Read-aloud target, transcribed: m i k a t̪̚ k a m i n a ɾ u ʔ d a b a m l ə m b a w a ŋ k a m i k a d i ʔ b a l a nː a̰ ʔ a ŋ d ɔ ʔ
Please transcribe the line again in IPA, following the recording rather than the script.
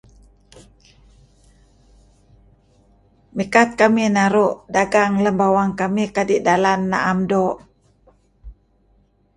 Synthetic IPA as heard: m i k a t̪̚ k a m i n a ɾ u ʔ d a ɡ a ŋ l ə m b a w a ŋ k a m i k a d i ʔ d a l a nː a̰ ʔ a m d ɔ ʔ